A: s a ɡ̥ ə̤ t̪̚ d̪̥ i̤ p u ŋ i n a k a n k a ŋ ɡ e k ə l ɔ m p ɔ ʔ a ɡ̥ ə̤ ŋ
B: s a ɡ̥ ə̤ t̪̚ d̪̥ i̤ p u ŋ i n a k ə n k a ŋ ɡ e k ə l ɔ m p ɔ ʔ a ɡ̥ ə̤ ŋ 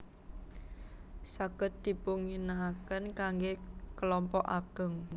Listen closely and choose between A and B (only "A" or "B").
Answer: B